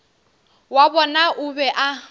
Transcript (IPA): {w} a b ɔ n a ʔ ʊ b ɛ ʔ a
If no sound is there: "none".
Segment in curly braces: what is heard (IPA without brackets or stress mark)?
w